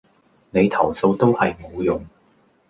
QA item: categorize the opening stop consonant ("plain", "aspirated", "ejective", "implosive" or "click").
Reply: aspirated